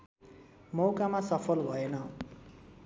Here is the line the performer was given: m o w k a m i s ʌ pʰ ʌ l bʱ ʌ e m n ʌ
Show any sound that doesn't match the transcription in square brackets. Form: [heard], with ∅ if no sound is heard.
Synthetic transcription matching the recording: m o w k a m [a] s ʌ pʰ ʌ l bʱ ʌ e [∅] n ʌ